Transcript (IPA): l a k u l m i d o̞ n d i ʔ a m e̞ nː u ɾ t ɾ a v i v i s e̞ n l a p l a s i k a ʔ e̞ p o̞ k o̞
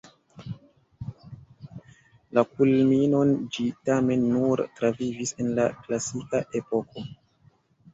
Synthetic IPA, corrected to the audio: l a k u l m i n o̞ n d͡ʒ i t a m e̞ nː u ɾ t ɾ a v i v i s e̞ n l a k l a s i k a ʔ e̞ p o̞ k o̞